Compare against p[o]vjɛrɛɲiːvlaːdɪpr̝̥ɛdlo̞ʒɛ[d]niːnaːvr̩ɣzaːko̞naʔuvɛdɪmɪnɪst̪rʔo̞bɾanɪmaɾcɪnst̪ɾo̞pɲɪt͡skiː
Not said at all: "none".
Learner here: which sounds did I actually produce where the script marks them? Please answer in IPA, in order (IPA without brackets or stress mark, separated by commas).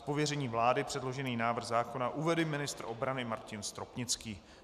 o, none